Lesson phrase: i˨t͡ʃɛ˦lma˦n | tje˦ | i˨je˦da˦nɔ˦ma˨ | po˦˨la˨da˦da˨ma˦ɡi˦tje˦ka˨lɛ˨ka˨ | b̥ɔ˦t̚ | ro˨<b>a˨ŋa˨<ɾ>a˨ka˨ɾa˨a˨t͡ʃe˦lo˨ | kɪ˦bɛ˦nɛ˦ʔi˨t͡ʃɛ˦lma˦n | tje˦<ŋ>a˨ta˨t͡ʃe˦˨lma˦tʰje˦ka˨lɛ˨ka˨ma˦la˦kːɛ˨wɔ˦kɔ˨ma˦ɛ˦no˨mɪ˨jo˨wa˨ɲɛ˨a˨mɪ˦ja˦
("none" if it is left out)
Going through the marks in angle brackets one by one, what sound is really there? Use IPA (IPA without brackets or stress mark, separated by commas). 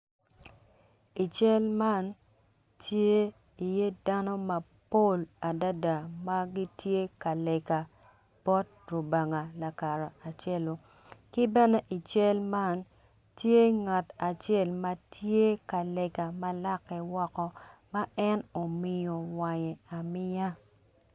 b, l, ŋ